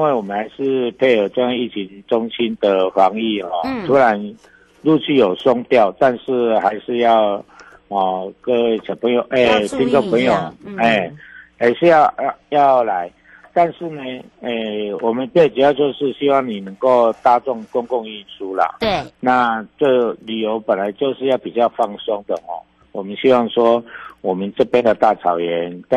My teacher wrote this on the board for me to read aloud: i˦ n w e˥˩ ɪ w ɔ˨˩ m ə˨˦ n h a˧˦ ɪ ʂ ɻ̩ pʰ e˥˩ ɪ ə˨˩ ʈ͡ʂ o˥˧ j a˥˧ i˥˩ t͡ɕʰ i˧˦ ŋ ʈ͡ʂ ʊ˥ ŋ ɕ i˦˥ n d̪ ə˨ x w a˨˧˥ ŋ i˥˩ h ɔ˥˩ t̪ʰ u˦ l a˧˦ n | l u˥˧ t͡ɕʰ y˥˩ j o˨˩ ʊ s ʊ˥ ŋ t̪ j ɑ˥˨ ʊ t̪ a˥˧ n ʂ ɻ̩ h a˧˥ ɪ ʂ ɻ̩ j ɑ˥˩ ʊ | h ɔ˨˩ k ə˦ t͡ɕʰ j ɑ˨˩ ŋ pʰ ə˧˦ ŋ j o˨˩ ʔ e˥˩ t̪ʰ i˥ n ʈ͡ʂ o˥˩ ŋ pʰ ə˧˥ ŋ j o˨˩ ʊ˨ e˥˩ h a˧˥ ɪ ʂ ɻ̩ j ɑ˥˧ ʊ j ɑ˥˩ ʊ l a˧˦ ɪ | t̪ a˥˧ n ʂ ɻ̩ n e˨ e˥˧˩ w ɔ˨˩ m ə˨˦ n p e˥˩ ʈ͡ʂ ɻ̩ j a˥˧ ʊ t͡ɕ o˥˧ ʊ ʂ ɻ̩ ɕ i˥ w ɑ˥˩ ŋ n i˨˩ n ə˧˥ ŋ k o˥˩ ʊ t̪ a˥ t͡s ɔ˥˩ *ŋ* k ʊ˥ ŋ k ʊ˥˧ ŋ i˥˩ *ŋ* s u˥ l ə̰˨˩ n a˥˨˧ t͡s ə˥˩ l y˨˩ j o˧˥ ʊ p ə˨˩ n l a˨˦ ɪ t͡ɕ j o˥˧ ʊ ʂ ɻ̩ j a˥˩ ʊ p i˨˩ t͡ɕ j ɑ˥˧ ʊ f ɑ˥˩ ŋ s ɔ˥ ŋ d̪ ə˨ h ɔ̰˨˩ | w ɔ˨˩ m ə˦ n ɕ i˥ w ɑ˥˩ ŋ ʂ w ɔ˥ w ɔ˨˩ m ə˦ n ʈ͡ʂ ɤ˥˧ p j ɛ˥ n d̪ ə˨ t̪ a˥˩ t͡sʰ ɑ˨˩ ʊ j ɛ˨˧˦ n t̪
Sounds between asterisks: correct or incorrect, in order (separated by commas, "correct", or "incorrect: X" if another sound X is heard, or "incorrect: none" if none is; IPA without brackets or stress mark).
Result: correct, incorrect: n